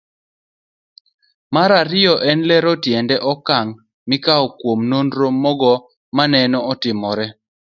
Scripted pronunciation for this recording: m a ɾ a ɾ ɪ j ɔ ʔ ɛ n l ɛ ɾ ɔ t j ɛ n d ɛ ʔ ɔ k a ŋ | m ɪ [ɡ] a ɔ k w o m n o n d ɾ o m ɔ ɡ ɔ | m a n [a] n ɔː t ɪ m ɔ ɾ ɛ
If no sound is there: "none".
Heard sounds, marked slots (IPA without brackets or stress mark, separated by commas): k, ɛ